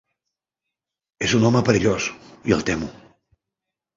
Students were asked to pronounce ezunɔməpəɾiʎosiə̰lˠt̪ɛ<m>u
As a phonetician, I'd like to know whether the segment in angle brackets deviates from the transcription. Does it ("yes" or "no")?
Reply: no